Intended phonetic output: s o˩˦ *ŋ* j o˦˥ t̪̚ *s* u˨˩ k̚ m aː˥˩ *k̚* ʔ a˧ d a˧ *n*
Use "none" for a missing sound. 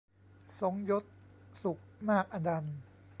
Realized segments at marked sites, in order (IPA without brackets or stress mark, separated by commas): ŋ, s, k̚, n